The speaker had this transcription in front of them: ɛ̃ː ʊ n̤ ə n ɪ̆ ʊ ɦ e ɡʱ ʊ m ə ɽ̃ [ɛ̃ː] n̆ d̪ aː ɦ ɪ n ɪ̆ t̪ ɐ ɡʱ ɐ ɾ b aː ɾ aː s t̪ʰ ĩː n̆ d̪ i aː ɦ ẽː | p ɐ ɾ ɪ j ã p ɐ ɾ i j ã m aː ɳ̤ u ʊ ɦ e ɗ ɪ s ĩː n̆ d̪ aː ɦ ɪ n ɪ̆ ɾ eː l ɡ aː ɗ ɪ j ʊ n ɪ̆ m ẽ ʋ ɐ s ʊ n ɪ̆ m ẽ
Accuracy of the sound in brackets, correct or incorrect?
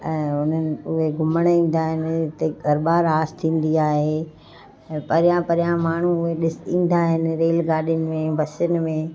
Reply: incorrect: ĩː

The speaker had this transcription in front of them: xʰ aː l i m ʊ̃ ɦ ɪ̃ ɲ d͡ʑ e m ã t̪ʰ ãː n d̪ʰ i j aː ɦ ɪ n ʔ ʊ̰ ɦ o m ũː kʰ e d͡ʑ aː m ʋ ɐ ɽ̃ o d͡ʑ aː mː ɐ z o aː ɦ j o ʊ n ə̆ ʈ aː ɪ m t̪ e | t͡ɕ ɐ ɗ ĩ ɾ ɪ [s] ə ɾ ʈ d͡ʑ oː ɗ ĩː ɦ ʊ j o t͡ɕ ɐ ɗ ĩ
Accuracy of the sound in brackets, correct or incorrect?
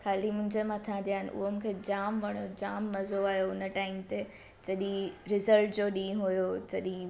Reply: incorrect: z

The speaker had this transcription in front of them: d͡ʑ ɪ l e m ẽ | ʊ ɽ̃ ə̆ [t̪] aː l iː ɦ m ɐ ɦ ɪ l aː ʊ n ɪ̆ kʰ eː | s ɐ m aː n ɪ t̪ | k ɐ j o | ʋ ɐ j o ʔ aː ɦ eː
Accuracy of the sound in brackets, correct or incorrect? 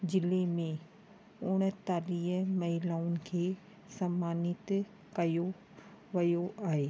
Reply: correct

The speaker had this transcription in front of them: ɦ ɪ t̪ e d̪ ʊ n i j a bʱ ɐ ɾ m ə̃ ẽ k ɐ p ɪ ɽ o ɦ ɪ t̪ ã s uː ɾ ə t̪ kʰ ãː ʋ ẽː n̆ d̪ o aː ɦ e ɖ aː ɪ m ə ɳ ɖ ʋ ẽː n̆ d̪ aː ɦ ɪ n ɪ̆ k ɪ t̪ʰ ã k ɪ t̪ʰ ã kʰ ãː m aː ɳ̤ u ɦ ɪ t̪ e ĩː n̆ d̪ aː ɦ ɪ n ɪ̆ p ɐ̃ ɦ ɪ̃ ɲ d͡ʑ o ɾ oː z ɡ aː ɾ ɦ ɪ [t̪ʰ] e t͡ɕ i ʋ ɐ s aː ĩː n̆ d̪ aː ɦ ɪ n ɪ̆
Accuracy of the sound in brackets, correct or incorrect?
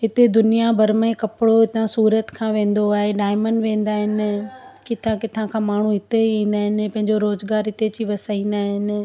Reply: incorrect: t̪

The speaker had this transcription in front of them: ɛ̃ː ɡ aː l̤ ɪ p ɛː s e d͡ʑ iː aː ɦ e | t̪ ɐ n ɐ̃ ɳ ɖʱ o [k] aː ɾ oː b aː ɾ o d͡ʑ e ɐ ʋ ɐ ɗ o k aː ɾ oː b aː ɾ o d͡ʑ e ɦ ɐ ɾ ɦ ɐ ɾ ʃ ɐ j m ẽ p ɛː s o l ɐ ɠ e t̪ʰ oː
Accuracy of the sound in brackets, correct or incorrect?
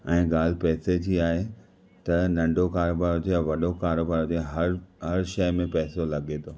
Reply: correct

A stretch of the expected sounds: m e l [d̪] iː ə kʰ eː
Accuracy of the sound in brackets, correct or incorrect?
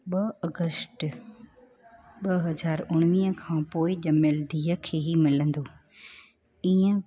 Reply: correct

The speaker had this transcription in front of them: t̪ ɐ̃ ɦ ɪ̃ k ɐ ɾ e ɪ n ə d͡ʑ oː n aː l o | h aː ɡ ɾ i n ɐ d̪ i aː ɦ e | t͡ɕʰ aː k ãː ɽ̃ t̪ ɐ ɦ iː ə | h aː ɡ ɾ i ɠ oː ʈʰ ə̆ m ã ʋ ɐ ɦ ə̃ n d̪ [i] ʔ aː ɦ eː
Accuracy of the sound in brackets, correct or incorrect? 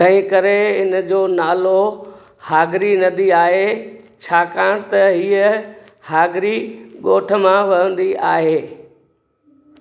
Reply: correct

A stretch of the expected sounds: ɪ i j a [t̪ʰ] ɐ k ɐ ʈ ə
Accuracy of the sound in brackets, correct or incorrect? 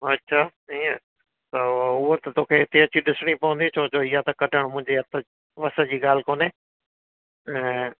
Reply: incorrect: t̪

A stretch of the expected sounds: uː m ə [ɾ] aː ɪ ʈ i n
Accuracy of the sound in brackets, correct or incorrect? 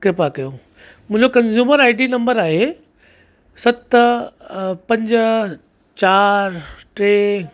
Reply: correct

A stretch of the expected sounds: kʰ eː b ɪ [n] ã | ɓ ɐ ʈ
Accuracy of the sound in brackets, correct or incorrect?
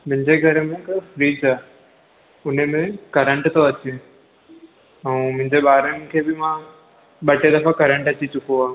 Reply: incorrect: m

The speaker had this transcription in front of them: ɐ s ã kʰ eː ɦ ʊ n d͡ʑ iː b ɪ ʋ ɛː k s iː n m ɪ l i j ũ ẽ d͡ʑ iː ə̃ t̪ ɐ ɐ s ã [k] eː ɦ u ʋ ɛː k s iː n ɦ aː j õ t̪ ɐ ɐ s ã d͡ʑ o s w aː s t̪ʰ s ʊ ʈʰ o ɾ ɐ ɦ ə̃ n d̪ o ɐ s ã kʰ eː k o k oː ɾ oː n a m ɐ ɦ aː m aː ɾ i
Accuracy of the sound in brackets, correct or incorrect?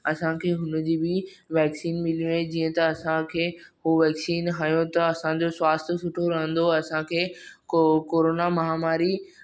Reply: incorrect: kʰ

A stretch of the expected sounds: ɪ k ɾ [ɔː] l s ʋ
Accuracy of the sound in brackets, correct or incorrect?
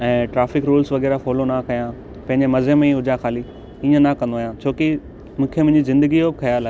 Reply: incorrect: uː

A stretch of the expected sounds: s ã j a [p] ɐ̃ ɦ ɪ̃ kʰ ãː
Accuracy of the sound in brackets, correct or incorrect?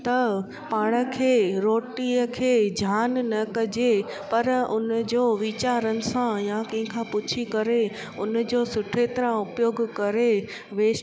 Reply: incorrect: k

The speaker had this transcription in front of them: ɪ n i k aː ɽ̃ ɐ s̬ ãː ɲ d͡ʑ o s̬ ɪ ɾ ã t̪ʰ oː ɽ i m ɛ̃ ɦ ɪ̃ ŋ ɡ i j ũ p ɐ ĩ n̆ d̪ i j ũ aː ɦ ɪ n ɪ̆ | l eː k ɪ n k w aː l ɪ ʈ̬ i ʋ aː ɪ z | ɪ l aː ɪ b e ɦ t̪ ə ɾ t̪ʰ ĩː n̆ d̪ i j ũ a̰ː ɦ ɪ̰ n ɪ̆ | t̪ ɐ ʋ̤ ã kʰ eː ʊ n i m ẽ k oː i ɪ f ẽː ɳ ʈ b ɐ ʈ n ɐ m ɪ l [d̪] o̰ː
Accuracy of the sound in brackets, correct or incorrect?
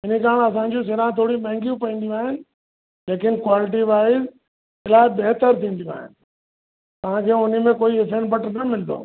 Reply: correct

